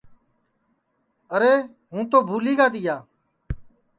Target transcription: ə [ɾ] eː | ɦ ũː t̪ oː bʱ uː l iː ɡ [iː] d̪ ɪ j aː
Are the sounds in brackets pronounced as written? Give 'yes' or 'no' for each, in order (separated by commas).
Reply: yes, no